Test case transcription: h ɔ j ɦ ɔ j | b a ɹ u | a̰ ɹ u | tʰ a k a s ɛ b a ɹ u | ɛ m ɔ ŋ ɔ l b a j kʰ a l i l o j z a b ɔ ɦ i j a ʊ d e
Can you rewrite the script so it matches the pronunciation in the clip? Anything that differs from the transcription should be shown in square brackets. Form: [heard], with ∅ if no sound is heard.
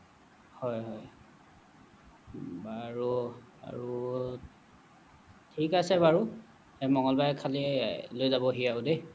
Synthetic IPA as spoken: h ɔ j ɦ ɔ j | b a ɹ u | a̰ ɹ u | tʰ [i] k a s ɛ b a ɹ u | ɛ m ɔ ŋ ɔ l b a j kʰ a l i l o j z a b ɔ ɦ i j a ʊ d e